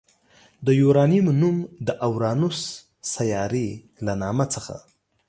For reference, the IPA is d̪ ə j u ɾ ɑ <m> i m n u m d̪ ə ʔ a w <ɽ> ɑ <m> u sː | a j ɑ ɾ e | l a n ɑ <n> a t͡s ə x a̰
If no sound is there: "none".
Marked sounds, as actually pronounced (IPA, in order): n, ɾ, n, m

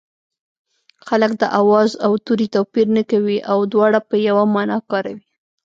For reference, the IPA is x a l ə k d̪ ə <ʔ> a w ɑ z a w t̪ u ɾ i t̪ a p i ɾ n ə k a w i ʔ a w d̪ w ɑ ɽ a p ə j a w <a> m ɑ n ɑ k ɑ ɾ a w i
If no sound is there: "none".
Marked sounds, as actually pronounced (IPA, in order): ʔ, a

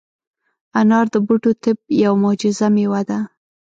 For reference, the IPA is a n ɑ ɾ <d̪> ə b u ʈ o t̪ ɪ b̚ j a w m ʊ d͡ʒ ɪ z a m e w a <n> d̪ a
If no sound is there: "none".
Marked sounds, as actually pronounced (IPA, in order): d̪, none

